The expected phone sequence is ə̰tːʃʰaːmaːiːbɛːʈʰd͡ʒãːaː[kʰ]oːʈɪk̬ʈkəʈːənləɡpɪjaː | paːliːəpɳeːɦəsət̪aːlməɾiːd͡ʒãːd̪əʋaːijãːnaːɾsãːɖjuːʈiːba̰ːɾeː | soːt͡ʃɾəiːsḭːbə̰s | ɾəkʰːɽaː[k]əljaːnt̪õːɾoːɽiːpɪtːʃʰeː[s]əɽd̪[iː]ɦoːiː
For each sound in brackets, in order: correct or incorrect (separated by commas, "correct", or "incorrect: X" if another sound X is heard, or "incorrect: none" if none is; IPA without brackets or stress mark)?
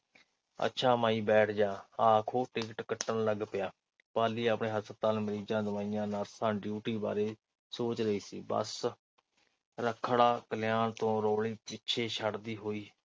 correct, correct, incorrect: ʃ, correct